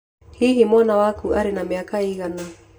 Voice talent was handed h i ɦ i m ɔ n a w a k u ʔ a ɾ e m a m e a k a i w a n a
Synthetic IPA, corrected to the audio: h i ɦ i m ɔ n a w a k u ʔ a ɾ e n a m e a k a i ɣ a n a